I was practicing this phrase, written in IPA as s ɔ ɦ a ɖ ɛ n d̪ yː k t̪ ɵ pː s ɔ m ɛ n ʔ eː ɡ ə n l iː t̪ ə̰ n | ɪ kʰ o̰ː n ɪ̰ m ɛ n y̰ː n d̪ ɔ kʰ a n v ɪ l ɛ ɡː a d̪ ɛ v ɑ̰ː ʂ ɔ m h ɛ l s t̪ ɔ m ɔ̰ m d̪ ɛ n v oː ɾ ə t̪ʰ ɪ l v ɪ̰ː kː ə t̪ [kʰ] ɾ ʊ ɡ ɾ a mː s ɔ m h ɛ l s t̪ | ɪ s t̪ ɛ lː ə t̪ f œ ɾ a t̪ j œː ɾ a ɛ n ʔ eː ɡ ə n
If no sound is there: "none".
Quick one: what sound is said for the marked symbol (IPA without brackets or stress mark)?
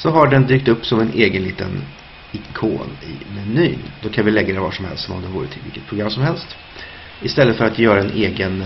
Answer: pʰ